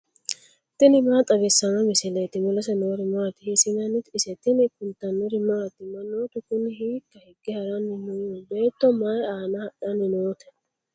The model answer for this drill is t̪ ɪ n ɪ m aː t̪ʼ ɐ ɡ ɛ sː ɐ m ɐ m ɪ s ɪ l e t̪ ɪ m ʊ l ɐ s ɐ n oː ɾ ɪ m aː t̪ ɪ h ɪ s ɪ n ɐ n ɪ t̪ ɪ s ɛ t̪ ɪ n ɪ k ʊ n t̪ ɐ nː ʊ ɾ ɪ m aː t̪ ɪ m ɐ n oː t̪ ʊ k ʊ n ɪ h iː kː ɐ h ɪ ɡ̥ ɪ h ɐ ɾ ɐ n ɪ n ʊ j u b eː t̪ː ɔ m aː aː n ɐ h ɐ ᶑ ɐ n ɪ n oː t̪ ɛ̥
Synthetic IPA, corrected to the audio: t̪ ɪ n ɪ m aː t̪ʼ ɐ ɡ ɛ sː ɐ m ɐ m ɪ s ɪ l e t̪ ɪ m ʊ l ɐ s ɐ n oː ɾ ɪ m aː t̪ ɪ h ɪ s ɪ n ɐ n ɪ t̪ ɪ s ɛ t̪ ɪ n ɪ k ʊ n t̪ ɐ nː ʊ ɾ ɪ m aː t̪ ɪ m ɐ n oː t̪ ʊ k ʊ n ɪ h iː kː ɐ h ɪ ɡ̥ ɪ h ɐ ɾ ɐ n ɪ n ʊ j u b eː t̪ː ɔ m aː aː n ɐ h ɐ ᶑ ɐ n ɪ n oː t̪ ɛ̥